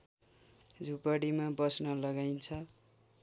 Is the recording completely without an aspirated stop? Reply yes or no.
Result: no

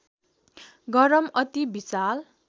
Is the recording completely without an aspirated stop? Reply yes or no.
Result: yes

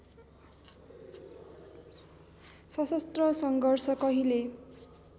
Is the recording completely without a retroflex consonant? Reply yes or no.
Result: yes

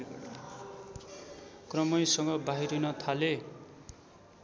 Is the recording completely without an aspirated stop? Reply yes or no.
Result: no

